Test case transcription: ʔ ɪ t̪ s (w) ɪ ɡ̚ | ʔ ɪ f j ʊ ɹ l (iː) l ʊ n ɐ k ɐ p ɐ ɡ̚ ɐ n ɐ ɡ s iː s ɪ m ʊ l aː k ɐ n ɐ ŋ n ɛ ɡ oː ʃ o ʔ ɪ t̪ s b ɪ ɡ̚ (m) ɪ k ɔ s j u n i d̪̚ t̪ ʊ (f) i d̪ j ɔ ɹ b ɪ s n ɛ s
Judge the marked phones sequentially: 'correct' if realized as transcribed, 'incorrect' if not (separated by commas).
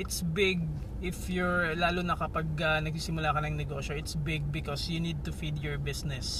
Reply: incorrect, incorrect, incorrect, correct